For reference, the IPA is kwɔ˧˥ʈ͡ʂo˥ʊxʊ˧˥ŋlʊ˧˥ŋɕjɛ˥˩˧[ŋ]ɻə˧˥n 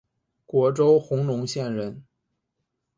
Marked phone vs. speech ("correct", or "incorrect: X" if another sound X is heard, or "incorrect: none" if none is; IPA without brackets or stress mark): incorrect: n